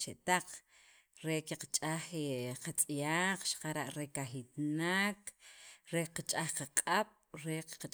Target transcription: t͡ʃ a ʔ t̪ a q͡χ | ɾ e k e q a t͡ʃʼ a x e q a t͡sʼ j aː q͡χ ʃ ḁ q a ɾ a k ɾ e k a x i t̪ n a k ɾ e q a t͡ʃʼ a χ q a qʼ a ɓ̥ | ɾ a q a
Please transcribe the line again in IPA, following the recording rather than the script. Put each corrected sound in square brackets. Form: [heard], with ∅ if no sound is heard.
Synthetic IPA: t͡ʃ [e] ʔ t̪ a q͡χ | ɾ e k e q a t͡ʃʼ a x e q a t͡sʼ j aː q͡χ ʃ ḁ q a ɾ a [ʔ] ɾ e k a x i t̪ n a k ɾ e q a t͡ʃʼ a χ q a qʼ a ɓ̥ | ɾ [e] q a